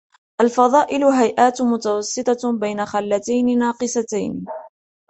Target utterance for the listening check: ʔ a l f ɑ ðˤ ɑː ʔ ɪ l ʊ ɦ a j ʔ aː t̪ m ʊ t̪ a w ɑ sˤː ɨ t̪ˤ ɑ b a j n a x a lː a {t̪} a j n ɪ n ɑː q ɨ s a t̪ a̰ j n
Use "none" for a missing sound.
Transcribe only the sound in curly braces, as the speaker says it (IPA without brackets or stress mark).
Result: t̪